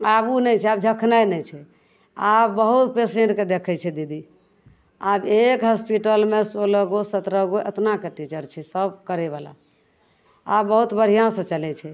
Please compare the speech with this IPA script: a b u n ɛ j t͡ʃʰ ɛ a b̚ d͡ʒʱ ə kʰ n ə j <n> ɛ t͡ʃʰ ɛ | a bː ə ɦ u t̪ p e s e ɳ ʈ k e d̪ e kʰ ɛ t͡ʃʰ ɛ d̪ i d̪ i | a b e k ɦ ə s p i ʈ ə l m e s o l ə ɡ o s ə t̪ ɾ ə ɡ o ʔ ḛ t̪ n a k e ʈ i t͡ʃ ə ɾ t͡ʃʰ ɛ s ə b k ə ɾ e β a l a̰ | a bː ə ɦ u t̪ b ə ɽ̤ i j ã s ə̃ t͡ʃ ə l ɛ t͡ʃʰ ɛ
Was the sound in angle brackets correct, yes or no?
yes